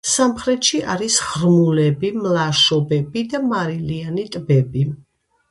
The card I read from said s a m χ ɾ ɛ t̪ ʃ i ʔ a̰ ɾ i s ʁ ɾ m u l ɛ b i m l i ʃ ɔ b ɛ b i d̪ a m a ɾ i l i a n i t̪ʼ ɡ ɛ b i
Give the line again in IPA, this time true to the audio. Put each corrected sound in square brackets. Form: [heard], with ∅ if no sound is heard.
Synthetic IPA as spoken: s a m χ ɾ ɛ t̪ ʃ i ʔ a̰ ɾ i s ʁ ɾ m u l ɛ b i m l [a] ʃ ɔ b ɛ b i d̪ a m a ɾ i l i a n i t̪ʼ [b] ɛ b i